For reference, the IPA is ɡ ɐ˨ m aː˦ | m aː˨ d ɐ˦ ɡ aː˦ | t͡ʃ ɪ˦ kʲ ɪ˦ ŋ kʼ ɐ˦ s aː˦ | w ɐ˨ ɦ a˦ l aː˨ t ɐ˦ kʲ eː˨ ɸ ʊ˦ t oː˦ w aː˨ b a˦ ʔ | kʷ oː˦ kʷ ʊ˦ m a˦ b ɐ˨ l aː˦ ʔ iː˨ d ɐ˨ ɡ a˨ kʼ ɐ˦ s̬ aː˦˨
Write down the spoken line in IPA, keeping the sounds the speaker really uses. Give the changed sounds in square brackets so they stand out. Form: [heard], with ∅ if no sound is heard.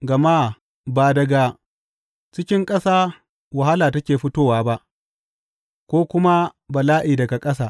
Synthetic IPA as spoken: ɡ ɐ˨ m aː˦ | [b] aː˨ d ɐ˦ ɡ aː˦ | t͡ʃ ɪ˦ kʲ ɪ˦ ŋ kʼ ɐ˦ s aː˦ | w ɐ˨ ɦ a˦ l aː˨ t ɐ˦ kʲ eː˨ ɸ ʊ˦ t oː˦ w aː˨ b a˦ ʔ | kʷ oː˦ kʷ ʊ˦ m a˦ b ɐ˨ l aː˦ ʔ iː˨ d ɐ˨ ɡ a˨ kʼ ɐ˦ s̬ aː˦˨

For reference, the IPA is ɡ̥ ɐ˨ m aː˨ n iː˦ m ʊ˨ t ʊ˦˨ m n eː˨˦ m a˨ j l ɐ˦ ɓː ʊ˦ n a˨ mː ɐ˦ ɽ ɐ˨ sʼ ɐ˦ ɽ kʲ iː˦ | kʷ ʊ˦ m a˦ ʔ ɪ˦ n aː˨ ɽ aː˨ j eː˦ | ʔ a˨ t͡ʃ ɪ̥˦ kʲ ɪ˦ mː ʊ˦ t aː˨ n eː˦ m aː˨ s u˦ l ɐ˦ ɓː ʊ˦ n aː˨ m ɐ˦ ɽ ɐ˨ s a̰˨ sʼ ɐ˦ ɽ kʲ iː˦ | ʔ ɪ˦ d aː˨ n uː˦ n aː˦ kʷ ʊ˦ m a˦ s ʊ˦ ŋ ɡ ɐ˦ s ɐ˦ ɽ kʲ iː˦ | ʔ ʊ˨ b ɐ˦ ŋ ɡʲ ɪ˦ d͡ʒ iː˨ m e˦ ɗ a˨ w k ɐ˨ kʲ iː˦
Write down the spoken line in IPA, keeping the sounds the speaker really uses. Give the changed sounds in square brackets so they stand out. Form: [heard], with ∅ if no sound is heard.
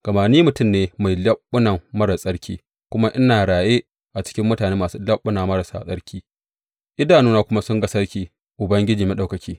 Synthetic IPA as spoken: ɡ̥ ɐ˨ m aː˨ n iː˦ m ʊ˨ t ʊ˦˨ m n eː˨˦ m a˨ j l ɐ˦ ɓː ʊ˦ n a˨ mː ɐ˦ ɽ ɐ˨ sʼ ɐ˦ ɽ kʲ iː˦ | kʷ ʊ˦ m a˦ ʔ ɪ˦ n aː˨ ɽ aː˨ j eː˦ | ʔ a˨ t͡ʃ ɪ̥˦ kʲ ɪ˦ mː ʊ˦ t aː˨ n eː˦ m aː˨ s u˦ l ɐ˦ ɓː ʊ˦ n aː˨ m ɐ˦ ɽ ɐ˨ s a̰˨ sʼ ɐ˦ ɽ kʲ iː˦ | ʔ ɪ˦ d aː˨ n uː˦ n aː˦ kʷ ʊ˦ m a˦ s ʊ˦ ŋ ɡ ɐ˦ s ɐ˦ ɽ kʲ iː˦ | ʔ ʊ˨ b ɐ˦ ŋ ɡʲ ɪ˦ d͡ʒ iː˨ m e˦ ɗ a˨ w k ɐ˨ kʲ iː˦

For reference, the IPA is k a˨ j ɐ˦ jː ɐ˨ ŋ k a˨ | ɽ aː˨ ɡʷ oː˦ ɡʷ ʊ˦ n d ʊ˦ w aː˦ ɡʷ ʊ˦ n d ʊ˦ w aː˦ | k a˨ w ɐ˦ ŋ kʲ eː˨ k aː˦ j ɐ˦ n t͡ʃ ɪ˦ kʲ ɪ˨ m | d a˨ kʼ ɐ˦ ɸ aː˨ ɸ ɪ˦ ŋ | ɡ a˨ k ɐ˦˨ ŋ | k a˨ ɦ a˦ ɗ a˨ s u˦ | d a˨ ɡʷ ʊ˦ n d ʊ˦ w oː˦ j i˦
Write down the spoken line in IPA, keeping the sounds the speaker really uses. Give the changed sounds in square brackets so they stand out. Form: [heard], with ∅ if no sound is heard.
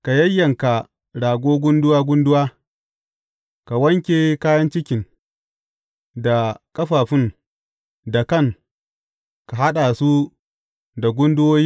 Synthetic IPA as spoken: k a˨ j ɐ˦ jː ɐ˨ ŋ k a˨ | ɽ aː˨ ɡʷ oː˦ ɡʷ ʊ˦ n d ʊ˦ w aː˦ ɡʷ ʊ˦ n d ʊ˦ w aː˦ | k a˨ w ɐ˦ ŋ kʲ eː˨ k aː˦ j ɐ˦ n t͡ʃ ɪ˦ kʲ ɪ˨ [ŋ] | d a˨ kʼ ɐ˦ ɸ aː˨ ɸ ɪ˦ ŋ | [d] a˨ k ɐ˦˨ ŋ | k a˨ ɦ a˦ ɗ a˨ s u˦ | d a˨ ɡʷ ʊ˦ n d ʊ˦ w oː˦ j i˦

